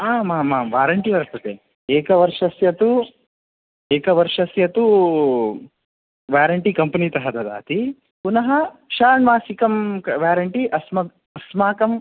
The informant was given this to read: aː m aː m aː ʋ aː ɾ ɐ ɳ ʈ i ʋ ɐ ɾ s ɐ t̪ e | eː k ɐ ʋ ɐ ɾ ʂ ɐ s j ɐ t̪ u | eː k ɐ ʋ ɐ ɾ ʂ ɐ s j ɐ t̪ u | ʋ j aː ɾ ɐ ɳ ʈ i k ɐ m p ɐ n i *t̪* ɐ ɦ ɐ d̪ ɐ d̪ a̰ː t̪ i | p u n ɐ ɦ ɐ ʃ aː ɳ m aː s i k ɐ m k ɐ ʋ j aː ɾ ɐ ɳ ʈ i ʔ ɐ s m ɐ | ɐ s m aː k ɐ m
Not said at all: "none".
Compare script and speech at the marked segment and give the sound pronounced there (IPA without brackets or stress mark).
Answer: t̪